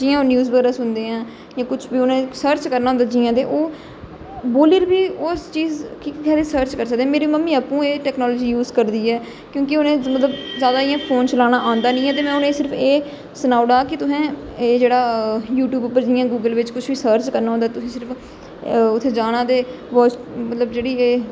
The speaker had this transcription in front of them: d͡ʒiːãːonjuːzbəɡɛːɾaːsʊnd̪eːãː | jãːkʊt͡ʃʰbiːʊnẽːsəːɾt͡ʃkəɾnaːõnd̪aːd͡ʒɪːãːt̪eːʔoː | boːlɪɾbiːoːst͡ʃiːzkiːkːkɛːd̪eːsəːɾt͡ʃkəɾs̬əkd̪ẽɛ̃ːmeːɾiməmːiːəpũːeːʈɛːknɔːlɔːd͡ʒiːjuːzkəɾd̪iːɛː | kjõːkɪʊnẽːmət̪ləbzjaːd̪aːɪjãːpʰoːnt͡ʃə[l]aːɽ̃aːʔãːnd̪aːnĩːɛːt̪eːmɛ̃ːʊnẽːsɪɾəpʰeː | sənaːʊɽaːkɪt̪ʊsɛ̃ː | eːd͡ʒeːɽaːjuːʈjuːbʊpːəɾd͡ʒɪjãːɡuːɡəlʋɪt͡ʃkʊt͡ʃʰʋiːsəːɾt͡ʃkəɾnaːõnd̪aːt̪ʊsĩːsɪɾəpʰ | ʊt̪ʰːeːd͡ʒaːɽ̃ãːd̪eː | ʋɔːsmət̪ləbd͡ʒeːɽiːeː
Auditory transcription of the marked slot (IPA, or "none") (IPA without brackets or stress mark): l